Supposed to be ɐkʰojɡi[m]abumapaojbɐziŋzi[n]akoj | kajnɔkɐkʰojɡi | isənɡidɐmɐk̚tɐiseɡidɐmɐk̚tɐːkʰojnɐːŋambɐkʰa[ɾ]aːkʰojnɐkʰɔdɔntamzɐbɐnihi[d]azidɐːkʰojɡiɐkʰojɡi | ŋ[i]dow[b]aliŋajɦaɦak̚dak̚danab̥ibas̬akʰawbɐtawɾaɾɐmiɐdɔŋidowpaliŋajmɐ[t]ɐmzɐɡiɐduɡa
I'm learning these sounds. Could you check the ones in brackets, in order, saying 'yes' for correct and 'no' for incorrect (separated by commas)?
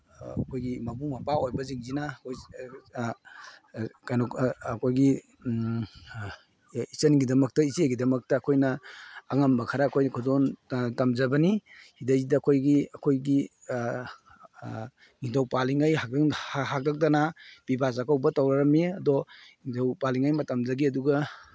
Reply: yes, yes, yes, yes, yes, no, yes